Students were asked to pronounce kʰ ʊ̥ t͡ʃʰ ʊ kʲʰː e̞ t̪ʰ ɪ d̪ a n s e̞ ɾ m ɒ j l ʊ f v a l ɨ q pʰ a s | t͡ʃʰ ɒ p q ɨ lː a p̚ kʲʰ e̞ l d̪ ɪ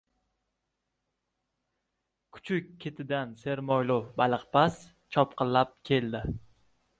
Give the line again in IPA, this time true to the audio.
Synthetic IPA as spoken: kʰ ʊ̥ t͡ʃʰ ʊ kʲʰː e̞ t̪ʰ ɪ d̪ a n s e̞ ɾ m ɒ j l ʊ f b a l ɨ q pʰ a s | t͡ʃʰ ɒ p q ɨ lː a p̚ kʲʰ e̞ l d̪ ɪ